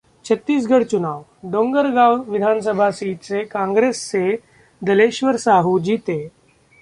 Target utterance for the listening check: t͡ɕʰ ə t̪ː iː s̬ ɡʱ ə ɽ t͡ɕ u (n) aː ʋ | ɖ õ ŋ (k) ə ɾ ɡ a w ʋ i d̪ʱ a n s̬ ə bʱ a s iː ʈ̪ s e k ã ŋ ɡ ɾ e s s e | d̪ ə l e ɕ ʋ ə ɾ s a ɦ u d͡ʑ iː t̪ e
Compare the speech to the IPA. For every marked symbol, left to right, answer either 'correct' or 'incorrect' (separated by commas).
correct, incorrect